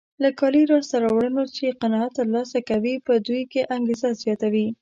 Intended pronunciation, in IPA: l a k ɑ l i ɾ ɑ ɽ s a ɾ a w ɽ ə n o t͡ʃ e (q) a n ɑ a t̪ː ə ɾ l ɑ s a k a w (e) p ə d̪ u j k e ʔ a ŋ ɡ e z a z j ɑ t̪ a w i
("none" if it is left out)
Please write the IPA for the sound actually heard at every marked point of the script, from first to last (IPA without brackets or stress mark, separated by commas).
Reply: q, i